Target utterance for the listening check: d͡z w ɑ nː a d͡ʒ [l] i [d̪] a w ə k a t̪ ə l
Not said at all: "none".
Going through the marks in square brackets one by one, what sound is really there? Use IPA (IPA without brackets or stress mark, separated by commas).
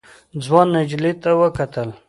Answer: l, t̪